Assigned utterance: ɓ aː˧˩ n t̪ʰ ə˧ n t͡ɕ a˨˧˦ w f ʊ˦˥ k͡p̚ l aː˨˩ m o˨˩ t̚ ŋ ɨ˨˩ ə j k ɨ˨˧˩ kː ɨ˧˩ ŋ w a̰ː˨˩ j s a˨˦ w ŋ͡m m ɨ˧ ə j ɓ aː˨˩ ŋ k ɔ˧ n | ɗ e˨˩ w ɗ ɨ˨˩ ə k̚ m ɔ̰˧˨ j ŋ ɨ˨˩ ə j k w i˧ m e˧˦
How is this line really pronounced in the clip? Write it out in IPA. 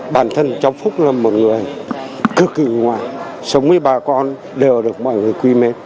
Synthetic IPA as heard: ɓ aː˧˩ n t̪ʰ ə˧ n t͡ɕ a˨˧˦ w f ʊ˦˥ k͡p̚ l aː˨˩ m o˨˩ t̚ ŋ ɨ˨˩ ə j k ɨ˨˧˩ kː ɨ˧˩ ŋ w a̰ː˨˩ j s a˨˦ w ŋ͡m m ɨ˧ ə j ɓ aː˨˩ k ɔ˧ n | ɗ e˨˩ w ɗ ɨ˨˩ ə k̚ m ɔ̰˧˨ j ŋ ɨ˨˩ ə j k w i˧ m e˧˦